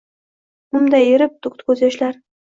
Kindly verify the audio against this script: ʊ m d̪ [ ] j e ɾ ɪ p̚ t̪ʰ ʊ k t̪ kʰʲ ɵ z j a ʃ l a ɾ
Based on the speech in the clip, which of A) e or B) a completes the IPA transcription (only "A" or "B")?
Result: B